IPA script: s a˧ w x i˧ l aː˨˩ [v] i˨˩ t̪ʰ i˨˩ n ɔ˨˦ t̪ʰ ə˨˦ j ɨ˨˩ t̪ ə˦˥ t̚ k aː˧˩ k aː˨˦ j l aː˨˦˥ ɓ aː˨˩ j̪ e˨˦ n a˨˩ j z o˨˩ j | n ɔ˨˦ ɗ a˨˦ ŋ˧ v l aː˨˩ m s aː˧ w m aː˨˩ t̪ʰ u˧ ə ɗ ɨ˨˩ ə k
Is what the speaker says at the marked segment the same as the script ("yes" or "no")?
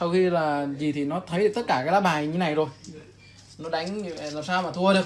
no